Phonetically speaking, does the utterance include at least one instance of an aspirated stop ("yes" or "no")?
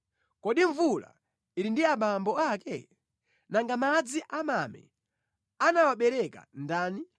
no